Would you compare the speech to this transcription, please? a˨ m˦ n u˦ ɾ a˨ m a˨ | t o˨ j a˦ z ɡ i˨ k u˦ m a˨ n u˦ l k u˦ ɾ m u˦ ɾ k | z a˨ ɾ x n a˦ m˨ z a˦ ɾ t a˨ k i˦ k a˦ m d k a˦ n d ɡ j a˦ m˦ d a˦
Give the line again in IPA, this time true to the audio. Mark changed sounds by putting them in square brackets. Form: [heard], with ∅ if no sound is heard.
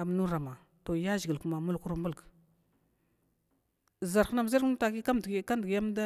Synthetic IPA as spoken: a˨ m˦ n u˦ ɾ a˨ m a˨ | t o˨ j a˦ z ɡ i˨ k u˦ m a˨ [m] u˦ l k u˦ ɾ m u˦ [l] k | z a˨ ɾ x n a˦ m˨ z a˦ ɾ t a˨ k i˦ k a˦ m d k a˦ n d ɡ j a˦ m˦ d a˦